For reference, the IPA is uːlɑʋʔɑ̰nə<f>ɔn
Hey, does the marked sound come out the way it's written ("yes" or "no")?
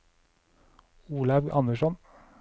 no